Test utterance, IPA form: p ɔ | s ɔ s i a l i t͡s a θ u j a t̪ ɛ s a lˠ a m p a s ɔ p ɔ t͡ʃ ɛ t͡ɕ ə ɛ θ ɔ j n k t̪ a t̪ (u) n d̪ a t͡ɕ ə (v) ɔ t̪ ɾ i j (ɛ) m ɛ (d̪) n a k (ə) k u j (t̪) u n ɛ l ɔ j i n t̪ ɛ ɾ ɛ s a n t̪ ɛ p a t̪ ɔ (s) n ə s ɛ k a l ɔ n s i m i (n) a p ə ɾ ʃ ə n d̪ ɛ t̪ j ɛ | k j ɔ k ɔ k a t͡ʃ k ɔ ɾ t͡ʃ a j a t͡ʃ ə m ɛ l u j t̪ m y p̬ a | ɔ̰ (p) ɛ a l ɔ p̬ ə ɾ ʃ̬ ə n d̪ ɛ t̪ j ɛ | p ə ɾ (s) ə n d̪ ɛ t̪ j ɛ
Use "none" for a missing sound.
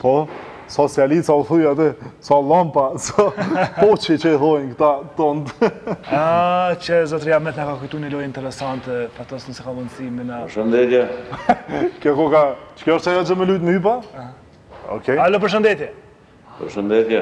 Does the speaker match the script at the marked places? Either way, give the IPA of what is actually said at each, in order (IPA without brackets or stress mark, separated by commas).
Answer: ɔ, z, a, t̪, a, t̪, s, n, k, ʃ